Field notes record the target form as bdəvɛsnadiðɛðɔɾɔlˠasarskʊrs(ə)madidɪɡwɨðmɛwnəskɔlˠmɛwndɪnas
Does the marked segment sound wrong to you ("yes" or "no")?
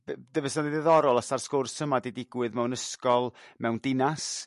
no